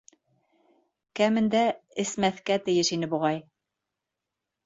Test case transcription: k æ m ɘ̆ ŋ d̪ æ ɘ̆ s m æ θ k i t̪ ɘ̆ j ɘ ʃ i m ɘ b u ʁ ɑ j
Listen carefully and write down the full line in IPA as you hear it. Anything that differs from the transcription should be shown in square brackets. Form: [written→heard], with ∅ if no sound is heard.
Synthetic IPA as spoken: k æ m ɘ̆ [ŋ→n] d̪ æ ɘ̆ s m æ θ k [i→æ] t̪ ɘ̆ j ɘ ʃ i [m→n] ɘ b u ʁ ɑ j